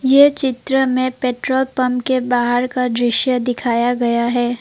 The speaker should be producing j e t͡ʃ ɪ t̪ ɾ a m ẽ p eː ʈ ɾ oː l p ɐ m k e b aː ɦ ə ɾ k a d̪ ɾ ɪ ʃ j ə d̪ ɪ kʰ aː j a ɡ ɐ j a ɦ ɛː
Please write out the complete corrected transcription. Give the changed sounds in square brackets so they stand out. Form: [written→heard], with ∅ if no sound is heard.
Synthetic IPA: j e t͡ʃ ɪ t̪ ɾ [a→ə] m ẽ p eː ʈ ɾ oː l p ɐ m k e b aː ɦ ə ɾ k a d̪ ɾ ɪ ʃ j ə d̪ ɪ kʰ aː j a ɡ ɐ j a ɦ ɛː